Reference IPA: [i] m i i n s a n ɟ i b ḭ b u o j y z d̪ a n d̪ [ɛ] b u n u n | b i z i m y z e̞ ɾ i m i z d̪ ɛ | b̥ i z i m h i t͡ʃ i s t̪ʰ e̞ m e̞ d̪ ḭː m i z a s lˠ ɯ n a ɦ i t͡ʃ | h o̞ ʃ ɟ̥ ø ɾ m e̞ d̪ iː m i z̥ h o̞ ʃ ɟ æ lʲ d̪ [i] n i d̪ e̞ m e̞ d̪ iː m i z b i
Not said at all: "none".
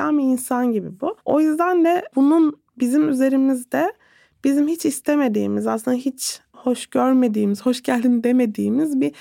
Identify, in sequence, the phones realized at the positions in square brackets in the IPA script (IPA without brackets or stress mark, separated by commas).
a, ɛ, i